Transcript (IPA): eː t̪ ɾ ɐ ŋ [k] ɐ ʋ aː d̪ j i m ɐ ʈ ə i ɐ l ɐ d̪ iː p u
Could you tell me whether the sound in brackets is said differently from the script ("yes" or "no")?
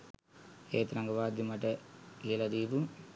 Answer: yes